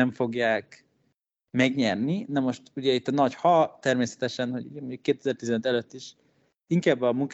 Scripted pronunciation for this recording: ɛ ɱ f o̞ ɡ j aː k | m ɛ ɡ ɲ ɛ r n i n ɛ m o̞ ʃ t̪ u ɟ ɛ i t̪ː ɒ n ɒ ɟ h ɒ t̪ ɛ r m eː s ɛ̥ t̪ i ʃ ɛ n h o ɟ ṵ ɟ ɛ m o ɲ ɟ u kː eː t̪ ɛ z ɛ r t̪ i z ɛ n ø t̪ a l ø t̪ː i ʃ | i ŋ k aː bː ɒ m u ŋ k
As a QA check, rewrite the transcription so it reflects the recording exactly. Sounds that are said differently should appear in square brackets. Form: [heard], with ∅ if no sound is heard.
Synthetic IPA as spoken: ɛ ɱ f o̞ ɡ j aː k | m ɛ ɡ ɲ ɛ r n i n ɛ m o̞ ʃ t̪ u ɟ ɛ i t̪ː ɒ n ɒ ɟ h ɒ t̪ ɛ r m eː s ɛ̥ t̪ [ɛ] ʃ ɛ n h o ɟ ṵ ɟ ɛ m o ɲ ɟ u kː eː t̪ ɛ z ɛ r t̪ i z ɛ n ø t̪ [ɛ] l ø t̪ː i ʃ | i ŋ k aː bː ɒ m u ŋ k